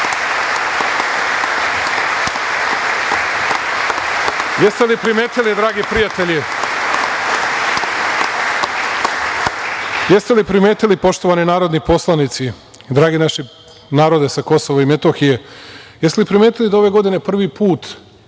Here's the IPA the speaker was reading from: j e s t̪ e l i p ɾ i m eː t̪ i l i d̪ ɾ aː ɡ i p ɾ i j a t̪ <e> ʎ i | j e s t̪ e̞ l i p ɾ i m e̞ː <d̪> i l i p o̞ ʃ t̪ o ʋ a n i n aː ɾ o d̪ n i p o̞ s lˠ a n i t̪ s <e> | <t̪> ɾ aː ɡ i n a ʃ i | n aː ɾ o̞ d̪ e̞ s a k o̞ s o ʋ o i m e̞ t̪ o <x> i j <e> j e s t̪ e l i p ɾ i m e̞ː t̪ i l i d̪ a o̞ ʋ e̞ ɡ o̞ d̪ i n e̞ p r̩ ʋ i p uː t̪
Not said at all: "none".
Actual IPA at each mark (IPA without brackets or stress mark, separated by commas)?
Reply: e, t̪, i, d̪, x, e